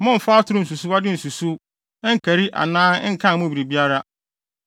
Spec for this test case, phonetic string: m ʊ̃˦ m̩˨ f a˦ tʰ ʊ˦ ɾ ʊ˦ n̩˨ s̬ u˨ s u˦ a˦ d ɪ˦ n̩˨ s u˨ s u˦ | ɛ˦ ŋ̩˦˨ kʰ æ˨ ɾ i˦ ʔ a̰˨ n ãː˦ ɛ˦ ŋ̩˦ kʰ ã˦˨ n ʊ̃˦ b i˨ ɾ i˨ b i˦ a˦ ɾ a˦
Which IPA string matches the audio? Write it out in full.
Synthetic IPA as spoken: m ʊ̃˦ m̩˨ f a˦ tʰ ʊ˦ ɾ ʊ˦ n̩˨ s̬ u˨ s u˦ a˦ d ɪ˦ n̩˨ s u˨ s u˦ | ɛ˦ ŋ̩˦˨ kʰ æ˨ ɾ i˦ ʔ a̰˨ n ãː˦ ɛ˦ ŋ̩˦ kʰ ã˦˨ m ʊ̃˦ b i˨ ɾ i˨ b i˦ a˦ ɾ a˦